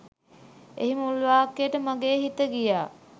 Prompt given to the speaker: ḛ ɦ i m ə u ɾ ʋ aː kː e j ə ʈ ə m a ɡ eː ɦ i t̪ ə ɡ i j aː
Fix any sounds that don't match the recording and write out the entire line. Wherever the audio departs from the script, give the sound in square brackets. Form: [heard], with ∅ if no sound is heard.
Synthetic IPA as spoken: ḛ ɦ i m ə u [l] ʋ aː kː e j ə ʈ ə m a ɡ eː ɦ i t̪ ə ɡ i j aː